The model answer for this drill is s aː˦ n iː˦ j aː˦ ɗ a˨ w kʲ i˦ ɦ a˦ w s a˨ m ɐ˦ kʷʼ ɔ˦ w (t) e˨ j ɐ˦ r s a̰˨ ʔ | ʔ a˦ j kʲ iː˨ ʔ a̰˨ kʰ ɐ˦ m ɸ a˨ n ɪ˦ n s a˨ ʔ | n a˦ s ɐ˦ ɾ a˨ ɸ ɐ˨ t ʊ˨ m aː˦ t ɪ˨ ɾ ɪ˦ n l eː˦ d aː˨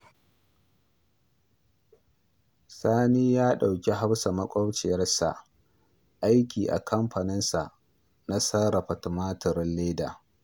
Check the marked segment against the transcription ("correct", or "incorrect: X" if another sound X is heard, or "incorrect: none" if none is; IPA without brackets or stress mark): incorrect: t͡ʃ